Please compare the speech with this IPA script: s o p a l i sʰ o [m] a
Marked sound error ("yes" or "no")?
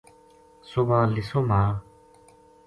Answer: no